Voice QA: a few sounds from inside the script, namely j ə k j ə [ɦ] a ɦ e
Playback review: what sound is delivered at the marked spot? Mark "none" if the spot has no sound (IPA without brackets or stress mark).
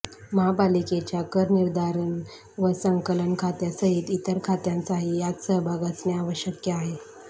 none